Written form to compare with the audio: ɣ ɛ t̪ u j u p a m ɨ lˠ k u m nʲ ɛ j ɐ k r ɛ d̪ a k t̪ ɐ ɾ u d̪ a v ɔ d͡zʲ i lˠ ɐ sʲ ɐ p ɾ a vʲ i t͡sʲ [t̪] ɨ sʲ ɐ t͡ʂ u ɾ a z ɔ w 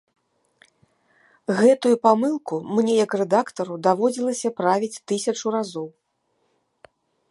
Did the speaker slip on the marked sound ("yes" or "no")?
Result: no